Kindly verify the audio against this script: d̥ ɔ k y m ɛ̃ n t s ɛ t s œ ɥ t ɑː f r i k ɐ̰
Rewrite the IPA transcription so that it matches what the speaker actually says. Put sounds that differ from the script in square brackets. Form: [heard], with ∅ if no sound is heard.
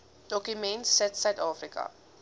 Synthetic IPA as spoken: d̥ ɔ k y m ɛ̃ n t s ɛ t s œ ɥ t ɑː f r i k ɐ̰